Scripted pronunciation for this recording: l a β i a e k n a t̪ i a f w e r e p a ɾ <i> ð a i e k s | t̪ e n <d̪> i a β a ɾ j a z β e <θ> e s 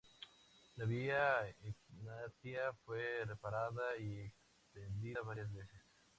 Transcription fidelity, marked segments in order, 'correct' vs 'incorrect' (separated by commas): incorrect, correct, incorrect